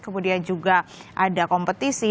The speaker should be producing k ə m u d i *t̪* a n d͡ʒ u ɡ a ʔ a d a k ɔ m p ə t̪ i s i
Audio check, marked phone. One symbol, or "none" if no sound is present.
none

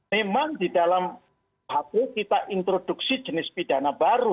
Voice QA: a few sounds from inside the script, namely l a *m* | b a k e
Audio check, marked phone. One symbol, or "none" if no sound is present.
m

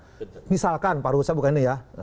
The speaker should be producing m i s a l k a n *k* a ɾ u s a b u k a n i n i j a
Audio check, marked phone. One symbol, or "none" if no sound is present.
p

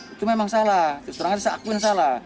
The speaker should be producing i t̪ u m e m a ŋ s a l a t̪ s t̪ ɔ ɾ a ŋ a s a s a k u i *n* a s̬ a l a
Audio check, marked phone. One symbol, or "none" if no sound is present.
n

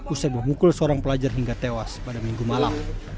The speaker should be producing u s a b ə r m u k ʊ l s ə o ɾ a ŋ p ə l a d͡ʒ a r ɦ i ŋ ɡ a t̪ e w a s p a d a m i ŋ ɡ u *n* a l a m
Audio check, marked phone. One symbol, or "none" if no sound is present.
m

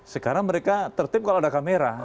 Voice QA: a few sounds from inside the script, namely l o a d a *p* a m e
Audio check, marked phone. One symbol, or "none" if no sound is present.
k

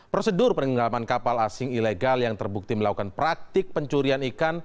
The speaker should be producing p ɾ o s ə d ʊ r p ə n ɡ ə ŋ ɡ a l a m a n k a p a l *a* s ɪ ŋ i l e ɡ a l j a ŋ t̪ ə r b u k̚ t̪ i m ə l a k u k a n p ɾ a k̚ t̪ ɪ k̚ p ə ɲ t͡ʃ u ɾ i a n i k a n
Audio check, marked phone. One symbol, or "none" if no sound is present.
a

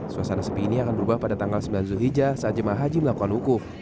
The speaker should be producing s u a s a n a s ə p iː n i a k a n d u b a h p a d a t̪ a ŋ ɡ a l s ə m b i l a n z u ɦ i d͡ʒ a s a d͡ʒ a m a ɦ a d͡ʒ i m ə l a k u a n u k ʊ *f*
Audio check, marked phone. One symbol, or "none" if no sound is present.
f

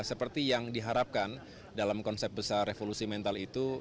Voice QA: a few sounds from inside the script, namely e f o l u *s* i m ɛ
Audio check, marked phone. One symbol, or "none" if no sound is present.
s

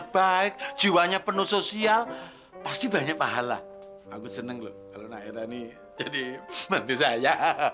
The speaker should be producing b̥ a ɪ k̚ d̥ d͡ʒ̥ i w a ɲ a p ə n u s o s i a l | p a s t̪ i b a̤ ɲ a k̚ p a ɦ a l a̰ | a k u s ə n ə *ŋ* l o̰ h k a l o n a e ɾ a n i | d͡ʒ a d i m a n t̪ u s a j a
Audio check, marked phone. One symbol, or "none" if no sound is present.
ŋ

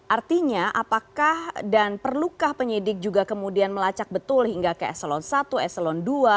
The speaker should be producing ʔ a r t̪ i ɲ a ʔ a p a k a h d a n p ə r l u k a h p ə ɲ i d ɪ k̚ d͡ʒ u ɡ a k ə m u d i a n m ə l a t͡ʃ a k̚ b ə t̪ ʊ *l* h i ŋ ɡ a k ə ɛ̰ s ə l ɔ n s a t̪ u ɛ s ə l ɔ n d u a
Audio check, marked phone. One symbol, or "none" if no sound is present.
l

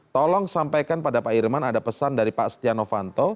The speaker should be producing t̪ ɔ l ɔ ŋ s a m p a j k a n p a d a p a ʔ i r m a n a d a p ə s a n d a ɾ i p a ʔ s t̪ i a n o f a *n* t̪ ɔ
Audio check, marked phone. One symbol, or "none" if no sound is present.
n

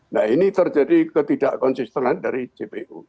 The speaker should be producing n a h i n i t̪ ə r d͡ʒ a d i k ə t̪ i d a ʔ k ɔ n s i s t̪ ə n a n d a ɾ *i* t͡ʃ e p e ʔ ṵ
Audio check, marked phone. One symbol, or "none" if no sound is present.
i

